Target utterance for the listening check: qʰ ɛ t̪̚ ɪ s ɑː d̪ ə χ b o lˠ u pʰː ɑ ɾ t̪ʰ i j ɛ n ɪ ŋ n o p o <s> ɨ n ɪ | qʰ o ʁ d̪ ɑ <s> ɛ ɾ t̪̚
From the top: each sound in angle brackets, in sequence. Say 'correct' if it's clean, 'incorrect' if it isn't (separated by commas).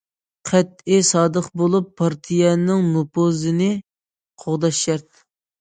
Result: incorrect, incorrect